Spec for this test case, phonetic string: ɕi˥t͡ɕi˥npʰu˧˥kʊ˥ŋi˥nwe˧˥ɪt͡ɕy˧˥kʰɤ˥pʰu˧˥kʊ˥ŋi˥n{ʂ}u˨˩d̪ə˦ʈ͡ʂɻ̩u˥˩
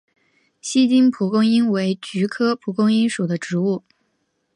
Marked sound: correct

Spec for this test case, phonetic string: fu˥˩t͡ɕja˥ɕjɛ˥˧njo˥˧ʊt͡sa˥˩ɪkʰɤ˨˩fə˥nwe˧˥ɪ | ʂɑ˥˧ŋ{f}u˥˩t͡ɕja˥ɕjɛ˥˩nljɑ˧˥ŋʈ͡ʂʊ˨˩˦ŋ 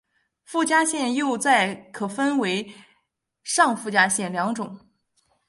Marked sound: correct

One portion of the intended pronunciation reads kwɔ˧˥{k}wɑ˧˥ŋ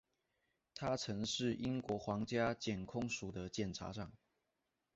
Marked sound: incorrect: x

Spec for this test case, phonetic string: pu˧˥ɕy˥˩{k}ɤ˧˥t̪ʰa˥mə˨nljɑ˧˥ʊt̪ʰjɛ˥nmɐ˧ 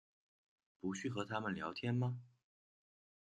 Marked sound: incorrect: x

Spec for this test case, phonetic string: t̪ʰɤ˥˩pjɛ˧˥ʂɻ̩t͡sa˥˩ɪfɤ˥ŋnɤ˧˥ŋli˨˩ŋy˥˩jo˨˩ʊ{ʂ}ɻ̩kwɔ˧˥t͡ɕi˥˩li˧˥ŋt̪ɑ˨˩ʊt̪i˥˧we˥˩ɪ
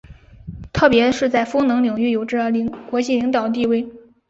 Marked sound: incorrect: ʈ͡ʂ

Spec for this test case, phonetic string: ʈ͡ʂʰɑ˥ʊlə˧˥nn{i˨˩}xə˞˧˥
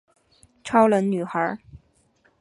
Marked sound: incorrect: y˨˩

